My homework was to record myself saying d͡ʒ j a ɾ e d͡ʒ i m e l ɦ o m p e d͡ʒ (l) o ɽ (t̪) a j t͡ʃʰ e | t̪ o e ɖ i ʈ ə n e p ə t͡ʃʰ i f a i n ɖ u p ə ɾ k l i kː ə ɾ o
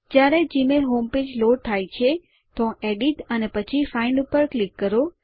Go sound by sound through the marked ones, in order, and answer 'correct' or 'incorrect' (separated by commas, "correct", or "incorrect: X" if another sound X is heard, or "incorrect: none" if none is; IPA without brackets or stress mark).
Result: correct, incorrect: t̪ʰ